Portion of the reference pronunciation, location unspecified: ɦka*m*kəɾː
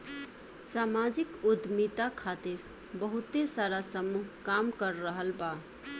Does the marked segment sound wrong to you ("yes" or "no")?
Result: no